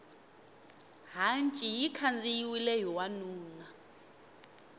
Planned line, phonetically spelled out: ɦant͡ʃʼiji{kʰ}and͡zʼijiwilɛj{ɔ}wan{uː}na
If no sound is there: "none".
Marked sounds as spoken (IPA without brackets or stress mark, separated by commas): kʰ, ɔ, uː